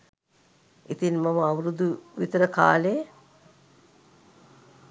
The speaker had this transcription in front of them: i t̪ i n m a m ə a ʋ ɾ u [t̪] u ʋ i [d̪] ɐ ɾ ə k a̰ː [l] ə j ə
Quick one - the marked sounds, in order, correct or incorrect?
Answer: incorrect: d̪, incorrect: t̪, correct

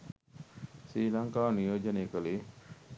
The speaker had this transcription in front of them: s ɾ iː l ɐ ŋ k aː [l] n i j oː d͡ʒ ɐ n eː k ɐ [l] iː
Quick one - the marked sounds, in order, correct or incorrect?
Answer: incorrect: none, correct

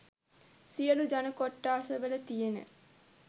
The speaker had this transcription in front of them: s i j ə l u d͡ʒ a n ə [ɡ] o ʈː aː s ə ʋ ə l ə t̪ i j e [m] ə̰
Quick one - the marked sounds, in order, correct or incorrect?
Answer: incorrect: k, incorrect: n

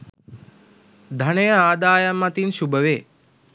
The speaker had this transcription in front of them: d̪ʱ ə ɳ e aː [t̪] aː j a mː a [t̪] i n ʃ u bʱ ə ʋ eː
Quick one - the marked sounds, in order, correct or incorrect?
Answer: incorrect: d̪, correct

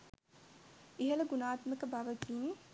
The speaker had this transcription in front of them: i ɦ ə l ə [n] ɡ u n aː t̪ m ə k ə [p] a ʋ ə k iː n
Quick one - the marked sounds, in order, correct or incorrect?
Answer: incorrect: none, incorrect: b

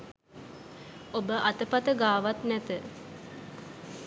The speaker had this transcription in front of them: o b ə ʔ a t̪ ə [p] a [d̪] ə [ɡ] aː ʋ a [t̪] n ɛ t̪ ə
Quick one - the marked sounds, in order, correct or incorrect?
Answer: correct, incorrect: t̪, correct, correct

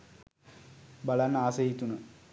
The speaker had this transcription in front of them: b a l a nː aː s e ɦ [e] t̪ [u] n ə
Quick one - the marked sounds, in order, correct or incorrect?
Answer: incorrect: i, correct

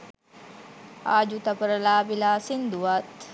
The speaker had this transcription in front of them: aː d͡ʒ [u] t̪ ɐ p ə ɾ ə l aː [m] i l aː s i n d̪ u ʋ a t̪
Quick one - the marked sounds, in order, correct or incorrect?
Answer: correct, incorrect: b

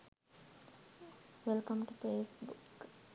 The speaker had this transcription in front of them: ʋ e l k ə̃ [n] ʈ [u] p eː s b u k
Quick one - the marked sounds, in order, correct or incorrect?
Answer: incorrect: m, correct

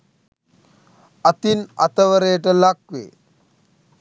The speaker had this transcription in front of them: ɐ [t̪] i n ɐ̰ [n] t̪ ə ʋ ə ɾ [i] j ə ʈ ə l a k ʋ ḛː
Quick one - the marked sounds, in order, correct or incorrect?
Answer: correct, incorrect: none, incorrect: e

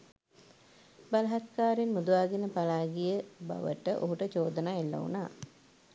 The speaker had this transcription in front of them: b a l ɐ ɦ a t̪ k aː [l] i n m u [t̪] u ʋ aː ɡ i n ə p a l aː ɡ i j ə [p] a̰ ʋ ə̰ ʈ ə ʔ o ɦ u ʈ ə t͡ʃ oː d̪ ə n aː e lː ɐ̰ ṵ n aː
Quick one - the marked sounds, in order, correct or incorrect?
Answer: incorrect: ɾ, incorrect: d̪, incorrect: b

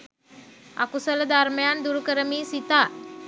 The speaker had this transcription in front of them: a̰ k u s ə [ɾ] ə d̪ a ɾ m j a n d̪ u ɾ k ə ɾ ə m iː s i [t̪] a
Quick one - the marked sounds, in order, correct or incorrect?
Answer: incorrect: l, correct

